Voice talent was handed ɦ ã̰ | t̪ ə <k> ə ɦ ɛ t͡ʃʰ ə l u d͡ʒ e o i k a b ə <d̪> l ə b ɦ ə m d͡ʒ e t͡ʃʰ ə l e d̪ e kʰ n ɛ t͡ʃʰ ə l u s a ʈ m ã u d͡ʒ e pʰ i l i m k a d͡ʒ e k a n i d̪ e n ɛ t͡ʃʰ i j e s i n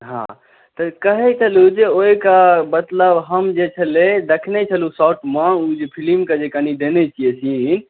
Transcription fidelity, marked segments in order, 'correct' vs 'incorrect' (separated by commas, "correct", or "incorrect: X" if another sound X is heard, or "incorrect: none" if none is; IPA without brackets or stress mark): correct, incorrect: t̪